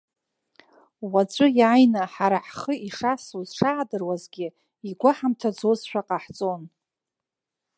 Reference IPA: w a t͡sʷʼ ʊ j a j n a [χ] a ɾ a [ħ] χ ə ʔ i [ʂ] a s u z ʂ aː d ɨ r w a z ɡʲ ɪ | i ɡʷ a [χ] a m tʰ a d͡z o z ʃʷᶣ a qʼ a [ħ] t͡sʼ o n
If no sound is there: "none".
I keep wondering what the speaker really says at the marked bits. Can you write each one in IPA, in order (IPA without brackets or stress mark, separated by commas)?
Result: ħ, ħ, ʂ, ħ, ħ